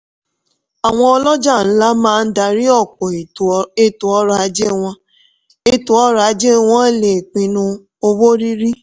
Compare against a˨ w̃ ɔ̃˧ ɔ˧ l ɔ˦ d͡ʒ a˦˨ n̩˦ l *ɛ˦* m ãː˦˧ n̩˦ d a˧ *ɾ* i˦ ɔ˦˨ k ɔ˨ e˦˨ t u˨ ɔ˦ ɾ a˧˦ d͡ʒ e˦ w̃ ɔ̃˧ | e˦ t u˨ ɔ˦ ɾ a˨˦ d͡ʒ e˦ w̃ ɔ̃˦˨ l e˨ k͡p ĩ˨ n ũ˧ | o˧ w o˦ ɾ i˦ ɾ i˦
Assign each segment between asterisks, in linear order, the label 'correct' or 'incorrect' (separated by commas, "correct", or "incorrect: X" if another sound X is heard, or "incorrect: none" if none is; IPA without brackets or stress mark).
incorrect: a˦, correct